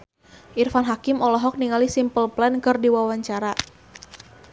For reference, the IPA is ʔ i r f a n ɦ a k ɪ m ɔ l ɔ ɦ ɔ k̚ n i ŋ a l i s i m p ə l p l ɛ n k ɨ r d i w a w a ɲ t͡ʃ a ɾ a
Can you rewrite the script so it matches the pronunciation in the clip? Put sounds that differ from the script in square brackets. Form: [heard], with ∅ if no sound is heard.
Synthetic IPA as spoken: ʔ i r f a n ɦ a k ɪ m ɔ l ɔ ɦ ɔ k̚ n i ŋ a l i s i m p ə l p l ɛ n k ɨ r d i w a w a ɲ t͡ʃ a ɾ a